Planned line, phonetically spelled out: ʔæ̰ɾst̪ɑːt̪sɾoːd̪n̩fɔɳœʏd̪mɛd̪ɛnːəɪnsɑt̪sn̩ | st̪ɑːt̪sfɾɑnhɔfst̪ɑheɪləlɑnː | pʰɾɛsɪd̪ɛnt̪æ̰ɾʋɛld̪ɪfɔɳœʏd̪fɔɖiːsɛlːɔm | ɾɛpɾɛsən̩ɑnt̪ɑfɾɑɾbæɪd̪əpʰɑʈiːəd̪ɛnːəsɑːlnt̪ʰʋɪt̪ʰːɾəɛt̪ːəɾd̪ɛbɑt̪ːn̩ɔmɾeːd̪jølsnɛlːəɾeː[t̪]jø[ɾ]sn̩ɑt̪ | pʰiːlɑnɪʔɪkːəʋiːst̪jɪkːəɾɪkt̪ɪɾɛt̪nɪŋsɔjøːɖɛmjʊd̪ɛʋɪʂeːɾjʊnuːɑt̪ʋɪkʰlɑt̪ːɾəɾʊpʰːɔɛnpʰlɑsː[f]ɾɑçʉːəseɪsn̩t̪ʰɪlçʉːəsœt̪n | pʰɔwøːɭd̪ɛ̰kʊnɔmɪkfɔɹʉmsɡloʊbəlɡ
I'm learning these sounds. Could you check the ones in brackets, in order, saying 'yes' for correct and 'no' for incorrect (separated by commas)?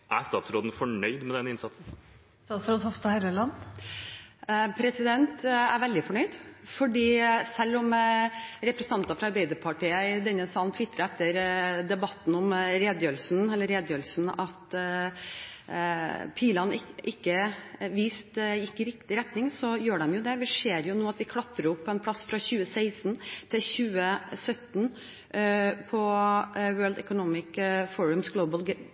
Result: no, no, yes